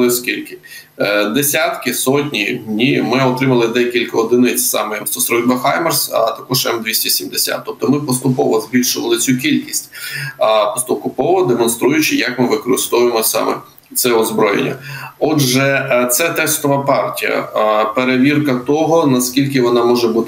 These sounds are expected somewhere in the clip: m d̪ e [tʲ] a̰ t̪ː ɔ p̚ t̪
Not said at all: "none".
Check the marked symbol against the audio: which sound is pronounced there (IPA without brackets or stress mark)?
sʲ